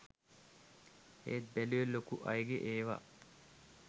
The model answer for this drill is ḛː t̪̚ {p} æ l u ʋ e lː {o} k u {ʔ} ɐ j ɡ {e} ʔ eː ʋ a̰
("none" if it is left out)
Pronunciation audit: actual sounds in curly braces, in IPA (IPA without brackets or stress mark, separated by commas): b, o, ʔ, e